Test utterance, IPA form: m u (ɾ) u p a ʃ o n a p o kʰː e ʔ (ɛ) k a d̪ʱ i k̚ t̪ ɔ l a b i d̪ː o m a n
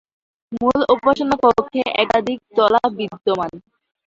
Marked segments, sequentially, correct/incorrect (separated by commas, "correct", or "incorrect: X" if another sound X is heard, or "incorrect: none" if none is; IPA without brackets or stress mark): incorrect: l, correct